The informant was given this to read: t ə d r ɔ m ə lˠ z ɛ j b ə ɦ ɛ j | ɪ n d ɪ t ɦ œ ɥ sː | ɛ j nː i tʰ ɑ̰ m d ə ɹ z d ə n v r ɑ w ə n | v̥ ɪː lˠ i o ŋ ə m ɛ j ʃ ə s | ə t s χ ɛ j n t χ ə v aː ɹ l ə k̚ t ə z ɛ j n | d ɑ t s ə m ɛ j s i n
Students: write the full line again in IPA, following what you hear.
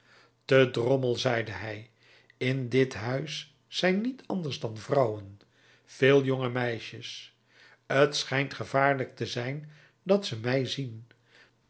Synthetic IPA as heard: t ə d r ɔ m ə lˠ z ɛ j d ə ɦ ɛ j | ɪ n d ɪ t ɦ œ ɥ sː | ɛ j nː i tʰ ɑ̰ n d ə ɹ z d ɑ n v r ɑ w ə n | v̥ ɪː lˠ j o ŋ ə m ɛ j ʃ ə s | ə t s χ ɛ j n t χ ə v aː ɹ l ə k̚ t ə z ɛ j n | d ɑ t s ə m ɛ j z i n